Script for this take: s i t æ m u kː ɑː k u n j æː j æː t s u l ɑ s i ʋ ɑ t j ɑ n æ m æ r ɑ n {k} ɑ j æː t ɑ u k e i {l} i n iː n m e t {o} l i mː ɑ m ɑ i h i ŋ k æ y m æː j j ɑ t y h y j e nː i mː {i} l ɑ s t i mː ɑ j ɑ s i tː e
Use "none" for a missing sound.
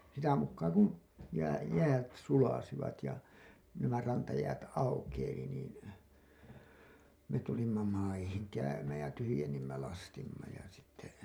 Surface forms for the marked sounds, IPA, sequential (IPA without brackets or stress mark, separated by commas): t, l, u, æ